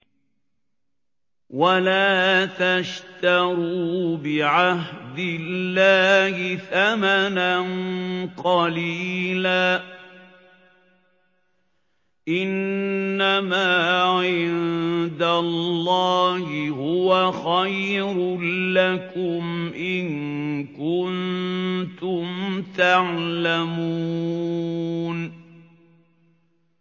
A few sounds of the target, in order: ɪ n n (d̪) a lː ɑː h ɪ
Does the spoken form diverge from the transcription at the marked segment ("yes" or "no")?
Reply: no